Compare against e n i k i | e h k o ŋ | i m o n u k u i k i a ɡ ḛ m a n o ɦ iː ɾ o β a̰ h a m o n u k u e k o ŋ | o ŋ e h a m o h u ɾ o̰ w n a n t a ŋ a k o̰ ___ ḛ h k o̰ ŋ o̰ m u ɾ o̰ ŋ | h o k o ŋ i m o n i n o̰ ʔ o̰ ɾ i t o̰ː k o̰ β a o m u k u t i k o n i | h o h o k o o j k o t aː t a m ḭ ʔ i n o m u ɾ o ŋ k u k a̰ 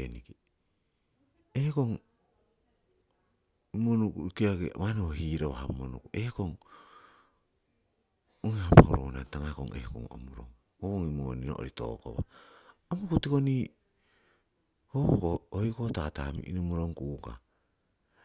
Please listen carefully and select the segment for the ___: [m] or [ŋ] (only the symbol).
ŋ